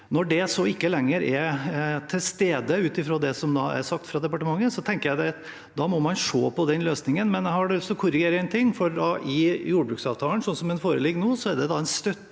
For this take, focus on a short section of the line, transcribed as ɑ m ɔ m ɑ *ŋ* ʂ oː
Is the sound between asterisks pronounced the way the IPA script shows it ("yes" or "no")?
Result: no